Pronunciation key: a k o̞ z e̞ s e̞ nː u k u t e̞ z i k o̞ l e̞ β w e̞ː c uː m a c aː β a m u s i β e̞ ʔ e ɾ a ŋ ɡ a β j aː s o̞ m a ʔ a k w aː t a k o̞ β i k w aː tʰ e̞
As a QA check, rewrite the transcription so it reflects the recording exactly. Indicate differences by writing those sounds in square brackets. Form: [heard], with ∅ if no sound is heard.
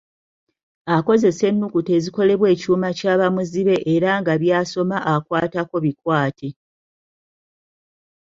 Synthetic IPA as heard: a k o̞ z e̞ s e̞ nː u k u t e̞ z i k o̞ l e̞ β w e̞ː c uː m a c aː β a m u [z] i β e̞ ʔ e ɾ a ŋ ɡ a β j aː s o̞ m a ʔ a k w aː t a k o̞ β i k w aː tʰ e̞